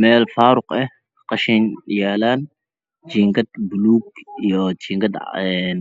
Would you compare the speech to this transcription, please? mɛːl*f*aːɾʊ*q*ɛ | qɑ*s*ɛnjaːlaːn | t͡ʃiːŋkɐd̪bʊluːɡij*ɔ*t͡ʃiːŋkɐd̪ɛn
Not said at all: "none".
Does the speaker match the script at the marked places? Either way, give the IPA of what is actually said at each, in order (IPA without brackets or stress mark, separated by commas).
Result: f, q, ʃ, ɔ